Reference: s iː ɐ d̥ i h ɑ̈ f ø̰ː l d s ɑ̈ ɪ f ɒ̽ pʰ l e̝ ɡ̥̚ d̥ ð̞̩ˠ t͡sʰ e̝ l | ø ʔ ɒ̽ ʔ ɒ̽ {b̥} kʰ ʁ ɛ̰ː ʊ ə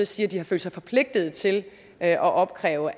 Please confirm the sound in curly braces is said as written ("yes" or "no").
yes